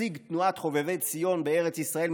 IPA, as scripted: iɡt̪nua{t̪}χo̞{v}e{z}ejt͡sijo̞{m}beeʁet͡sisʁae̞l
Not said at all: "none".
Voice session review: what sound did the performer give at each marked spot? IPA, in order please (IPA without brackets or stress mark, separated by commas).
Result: t̪, v, v, n